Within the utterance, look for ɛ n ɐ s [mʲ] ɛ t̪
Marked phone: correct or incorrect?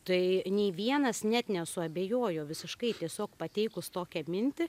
incorrect: nʲ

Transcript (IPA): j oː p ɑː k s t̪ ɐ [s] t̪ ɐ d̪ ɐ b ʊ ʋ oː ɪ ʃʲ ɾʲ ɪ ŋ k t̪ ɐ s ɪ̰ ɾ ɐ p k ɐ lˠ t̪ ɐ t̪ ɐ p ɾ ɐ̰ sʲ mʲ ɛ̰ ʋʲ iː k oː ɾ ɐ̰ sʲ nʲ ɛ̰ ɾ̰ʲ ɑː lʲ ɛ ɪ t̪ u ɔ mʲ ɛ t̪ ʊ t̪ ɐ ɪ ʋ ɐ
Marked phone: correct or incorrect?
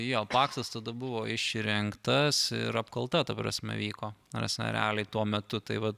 correct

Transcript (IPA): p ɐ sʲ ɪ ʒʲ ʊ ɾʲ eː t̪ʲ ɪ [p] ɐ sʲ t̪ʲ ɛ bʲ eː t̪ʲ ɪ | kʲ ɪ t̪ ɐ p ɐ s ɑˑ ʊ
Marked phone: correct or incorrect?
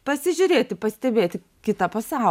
correct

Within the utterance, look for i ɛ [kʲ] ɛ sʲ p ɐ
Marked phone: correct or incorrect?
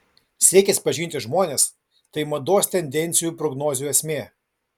correct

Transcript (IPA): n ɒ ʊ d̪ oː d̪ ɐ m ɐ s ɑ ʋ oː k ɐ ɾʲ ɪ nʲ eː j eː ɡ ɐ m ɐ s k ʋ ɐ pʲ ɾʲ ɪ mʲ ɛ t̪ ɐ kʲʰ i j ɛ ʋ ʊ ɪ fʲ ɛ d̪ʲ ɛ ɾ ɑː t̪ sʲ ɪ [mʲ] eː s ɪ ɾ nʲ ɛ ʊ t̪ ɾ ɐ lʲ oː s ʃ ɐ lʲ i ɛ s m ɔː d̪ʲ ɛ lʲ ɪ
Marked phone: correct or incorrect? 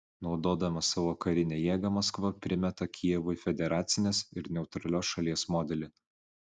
incorrect: nʲ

